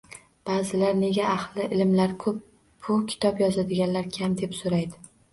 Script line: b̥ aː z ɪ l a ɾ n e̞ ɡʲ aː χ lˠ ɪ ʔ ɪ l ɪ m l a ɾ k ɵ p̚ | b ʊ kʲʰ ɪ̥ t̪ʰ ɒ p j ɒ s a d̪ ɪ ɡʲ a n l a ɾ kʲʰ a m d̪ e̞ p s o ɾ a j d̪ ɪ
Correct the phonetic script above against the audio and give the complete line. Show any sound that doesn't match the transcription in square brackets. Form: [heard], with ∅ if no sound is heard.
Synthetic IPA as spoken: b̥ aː z ɪ l a ɾ n e̞ ɡʲ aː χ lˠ ɪ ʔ ɪ l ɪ m l a ɾ [kʰ] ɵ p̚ | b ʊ kʲʰ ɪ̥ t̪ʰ ɒ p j ɒ [z] a d̪ ɪ ɡʲ a n l a ɾ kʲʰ a m d̪ e̞ p s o ɾ a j d̪ ɪ